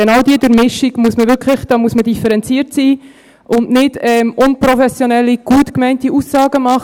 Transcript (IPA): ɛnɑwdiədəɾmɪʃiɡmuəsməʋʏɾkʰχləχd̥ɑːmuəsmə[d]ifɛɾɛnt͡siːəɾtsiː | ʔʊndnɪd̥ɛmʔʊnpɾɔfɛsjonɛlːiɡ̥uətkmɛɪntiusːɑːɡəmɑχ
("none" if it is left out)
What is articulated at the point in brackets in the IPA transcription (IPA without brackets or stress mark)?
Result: d